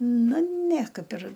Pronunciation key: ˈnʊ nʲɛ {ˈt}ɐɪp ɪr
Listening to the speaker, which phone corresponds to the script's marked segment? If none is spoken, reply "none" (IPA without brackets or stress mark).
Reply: k